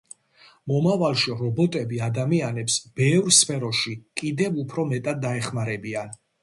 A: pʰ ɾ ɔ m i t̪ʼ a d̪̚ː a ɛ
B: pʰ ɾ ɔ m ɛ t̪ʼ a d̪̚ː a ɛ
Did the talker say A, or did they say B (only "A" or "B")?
B